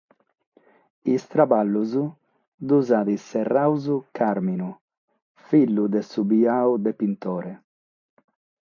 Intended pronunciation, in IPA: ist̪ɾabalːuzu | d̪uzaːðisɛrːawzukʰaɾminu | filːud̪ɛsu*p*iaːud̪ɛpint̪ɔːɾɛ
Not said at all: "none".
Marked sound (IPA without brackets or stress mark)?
b